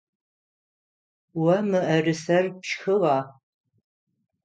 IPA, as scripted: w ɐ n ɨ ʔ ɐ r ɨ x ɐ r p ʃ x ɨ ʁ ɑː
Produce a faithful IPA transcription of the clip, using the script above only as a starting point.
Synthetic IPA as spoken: w ɐ m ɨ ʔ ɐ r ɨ s ɐ r p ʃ x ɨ ʁ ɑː